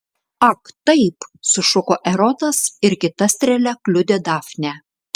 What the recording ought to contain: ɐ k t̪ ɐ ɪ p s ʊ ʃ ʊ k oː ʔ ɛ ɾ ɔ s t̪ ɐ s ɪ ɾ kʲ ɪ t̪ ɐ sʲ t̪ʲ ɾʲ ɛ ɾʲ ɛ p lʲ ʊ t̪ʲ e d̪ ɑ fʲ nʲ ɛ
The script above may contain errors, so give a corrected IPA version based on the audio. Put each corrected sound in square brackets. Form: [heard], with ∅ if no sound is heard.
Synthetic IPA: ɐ k t̪ ɐ ɪ p s ʊ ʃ ʊ k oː ʔ ɛ ɾ ɔ [∅] t̪ ɐ s ɪ ɾ kʲ ɪ t̪ ɐ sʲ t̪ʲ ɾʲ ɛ [lʲ] ɛ [k] lʲ ʊ [d̪ʲ] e d̪ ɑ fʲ nʲ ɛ